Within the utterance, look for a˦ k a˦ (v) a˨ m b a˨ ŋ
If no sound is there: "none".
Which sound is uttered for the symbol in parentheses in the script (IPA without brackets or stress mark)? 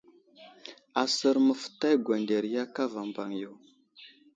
v